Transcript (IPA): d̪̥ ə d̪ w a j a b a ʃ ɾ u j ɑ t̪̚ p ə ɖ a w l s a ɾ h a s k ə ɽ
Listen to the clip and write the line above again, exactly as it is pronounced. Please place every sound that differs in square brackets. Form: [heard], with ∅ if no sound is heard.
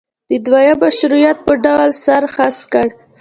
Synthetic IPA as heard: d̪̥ ə d̪ w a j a b a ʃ ɾ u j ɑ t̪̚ p ə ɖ a w l s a ɾ [x] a s k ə ɽ